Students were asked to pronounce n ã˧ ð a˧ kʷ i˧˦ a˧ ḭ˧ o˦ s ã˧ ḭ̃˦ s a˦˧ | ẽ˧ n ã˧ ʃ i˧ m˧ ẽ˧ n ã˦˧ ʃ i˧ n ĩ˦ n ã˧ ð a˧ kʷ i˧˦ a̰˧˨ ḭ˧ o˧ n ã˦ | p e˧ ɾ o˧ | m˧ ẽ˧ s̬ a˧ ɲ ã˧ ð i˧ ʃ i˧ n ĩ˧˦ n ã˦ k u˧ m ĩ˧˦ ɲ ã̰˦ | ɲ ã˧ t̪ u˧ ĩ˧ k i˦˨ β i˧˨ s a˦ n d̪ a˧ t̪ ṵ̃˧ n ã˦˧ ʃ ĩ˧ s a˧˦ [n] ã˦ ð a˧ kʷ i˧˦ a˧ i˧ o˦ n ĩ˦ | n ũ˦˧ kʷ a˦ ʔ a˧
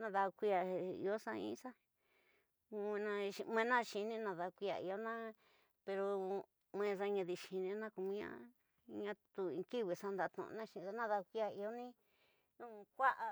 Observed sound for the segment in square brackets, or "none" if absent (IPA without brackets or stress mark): n